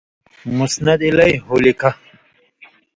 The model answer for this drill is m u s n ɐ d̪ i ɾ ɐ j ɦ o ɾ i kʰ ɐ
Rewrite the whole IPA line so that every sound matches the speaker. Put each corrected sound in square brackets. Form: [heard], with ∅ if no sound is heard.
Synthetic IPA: m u s n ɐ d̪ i [l] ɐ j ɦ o [l] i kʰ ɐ